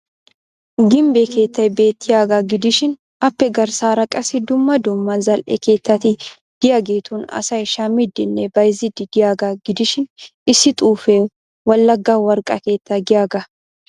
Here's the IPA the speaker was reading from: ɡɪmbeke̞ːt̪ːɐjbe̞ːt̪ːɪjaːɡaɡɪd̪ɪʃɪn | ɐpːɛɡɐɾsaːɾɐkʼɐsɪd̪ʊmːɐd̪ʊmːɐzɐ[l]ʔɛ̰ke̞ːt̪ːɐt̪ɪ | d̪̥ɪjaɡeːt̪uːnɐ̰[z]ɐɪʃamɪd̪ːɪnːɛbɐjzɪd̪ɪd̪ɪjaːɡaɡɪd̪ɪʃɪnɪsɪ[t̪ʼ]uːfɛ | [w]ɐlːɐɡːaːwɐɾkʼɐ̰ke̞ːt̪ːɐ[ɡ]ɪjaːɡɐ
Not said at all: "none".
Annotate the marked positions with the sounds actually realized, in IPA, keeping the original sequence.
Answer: l, s, t̪ʼ, w, ɡ

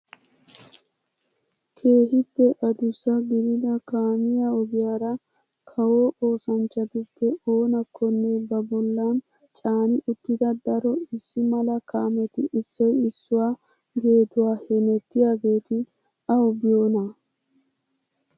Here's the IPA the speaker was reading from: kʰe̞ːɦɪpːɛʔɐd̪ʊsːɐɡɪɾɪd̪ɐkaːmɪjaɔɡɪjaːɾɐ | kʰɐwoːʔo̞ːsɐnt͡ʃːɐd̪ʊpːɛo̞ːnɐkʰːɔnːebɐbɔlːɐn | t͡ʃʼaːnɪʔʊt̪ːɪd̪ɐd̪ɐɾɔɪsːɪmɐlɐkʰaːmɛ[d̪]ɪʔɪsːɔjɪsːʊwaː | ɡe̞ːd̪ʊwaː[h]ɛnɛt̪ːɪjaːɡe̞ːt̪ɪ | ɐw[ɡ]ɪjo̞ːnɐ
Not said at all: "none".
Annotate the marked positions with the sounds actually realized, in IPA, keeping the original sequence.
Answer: t̪, h, b

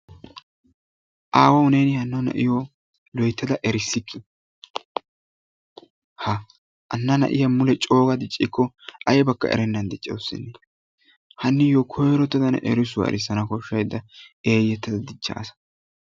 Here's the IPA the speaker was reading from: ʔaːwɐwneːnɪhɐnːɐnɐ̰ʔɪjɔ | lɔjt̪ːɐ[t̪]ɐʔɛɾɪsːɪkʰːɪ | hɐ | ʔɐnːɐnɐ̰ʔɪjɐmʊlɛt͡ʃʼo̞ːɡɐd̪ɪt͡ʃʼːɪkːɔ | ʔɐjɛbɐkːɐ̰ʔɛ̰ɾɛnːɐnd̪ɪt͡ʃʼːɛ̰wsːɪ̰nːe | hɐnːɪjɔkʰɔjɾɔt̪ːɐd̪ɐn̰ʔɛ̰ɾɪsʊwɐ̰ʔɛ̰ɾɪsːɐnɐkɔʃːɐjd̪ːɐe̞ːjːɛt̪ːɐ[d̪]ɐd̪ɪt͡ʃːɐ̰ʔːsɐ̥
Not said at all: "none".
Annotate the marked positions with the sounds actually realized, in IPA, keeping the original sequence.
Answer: d̪, d̪

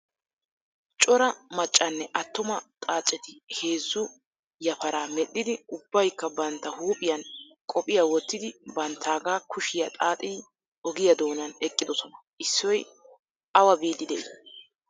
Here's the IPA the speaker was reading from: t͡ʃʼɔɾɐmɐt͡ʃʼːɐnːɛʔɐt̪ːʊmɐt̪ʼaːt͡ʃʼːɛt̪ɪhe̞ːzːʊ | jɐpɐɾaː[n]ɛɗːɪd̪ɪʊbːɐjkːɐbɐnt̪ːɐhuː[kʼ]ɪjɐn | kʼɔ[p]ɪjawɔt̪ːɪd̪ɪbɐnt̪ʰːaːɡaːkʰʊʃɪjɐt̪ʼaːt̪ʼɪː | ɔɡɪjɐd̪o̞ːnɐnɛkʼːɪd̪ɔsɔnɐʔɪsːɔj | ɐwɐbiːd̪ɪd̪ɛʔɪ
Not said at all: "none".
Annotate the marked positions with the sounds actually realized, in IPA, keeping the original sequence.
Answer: m, pʼ, pʼ

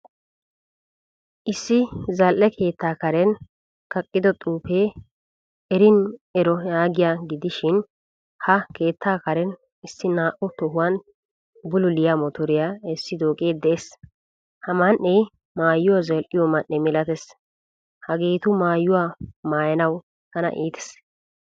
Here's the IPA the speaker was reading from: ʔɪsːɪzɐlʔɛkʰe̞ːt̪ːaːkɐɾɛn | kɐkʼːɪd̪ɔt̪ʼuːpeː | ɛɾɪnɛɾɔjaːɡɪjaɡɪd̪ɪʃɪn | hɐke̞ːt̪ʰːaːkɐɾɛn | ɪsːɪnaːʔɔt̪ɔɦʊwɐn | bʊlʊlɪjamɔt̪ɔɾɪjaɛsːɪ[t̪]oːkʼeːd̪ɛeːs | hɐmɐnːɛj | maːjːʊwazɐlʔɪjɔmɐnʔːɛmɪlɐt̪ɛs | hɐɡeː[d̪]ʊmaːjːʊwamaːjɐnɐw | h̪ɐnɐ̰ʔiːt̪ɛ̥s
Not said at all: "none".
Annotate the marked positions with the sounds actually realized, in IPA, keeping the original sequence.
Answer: d̪, t̪

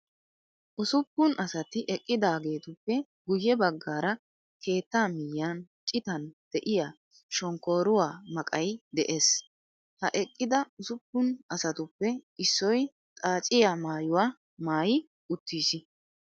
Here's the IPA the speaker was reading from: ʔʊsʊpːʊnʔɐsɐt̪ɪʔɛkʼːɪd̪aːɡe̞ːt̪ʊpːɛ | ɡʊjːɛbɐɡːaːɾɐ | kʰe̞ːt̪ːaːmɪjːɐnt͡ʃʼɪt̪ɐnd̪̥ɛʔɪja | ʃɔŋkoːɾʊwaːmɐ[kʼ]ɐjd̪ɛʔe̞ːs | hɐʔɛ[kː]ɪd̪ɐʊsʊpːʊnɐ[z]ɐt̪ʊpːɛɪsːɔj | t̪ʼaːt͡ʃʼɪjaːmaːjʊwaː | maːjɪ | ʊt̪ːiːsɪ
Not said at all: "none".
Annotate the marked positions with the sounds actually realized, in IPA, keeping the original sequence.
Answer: kʼ, kʼː, s

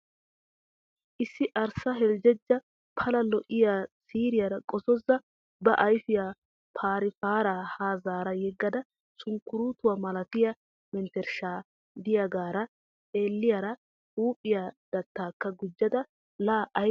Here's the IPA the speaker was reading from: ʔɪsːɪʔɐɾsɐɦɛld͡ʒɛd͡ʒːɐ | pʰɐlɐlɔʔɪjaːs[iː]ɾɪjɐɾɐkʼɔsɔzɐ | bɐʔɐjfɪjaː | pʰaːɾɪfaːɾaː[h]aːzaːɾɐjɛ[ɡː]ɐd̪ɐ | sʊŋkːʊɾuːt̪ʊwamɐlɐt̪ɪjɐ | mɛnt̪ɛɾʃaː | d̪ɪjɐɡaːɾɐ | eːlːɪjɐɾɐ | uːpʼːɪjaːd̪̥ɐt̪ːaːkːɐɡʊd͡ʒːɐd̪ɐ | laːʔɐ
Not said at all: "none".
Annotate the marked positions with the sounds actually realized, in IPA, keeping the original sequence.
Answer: iː, h, ɡː

